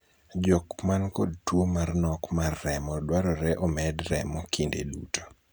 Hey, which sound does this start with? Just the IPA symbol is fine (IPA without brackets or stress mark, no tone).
d͡ʒ